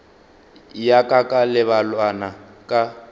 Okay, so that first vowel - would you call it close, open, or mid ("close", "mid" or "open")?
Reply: open